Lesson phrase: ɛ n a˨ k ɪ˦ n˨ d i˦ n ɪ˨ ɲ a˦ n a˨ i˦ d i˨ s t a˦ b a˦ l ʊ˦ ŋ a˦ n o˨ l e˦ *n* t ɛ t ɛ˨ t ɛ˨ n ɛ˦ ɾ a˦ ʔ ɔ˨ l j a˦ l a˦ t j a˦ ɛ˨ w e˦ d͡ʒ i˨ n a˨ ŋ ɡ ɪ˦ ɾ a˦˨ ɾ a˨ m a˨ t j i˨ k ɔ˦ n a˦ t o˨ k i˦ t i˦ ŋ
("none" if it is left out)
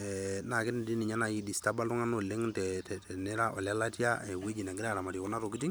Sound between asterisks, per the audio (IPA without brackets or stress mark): ŋ